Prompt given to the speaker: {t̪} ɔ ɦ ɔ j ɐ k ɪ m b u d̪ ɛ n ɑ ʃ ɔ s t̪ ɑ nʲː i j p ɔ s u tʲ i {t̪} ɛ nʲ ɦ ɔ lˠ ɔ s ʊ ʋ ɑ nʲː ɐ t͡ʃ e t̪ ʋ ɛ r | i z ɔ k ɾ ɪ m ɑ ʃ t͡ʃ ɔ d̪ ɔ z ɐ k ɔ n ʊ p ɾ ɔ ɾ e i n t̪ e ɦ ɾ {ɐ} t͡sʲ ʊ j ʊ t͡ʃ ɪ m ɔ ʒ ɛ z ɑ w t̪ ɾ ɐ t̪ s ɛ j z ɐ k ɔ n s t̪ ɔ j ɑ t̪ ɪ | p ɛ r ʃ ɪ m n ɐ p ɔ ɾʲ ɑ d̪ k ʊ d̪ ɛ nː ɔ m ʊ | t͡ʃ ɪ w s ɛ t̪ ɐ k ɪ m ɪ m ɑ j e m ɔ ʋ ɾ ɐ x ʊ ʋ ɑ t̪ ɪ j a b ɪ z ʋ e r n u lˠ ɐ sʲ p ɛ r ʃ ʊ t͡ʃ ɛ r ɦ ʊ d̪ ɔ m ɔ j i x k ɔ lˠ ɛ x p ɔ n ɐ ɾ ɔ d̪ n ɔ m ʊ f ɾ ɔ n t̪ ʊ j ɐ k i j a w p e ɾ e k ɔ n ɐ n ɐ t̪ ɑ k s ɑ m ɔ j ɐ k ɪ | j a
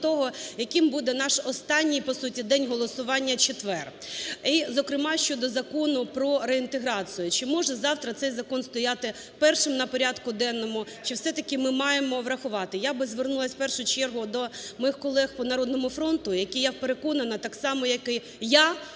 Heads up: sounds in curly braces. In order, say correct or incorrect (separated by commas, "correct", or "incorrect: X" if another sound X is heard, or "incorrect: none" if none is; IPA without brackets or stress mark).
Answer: correct, incorrect: d̪, incorrect: ɑ